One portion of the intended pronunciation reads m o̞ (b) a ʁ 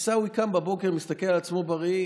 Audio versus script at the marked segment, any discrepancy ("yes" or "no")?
no